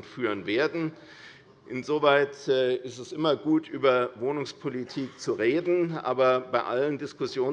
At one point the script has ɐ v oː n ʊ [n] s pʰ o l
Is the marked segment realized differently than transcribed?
yes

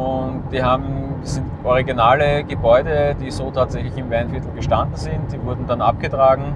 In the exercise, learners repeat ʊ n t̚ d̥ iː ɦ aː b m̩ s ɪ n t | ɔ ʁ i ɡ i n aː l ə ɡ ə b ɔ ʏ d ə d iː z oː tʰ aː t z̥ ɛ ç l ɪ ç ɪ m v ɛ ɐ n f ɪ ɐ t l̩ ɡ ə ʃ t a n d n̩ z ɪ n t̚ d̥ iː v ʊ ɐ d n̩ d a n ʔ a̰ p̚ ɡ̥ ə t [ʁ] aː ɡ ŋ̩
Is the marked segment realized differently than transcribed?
no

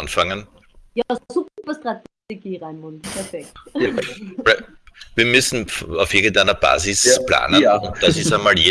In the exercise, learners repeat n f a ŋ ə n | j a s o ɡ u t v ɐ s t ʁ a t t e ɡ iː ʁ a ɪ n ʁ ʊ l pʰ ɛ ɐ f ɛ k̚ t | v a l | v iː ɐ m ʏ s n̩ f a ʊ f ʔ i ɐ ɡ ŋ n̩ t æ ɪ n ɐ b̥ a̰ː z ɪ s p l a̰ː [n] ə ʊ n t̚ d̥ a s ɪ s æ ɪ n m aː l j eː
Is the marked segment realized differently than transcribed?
no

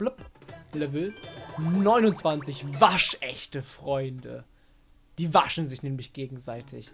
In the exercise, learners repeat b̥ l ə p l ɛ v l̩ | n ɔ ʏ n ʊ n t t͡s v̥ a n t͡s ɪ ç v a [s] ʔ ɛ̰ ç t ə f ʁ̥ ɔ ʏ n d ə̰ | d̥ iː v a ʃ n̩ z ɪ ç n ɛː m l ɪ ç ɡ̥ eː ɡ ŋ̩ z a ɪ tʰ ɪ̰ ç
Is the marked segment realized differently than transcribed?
yes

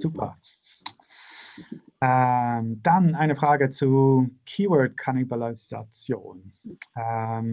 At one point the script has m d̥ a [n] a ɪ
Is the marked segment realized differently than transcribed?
no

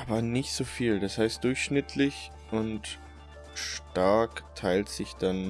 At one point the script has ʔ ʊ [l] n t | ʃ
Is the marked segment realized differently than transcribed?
yes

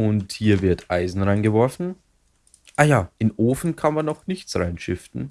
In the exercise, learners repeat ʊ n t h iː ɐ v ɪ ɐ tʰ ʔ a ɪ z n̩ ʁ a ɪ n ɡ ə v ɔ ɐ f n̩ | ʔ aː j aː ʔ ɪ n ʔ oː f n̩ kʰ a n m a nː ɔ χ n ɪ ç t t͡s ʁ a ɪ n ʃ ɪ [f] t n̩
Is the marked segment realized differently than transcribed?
no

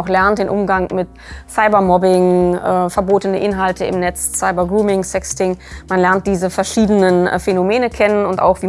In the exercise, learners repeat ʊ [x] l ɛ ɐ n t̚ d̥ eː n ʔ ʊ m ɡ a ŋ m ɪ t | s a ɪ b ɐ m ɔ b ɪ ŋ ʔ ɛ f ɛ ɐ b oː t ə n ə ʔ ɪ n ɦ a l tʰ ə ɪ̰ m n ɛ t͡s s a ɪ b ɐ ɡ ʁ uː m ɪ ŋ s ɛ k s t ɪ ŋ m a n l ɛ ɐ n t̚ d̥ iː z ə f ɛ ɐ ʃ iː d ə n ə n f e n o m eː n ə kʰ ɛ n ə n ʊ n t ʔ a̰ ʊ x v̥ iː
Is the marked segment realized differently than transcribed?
no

